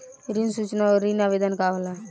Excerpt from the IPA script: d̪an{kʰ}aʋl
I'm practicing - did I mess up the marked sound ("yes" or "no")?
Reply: yes